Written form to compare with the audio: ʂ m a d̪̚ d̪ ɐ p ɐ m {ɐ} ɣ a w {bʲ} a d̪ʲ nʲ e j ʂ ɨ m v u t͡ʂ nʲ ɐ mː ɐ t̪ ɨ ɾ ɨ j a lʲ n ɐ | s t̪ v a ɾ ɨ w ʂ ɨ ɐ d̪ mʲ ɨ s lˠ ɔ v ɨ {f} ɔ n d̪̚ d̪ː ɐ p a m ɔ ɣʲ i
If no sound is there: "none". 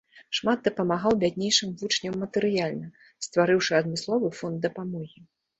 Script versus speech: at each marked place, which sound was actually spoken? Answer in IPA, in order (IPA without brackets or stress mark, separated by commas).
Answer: a, bʲ, f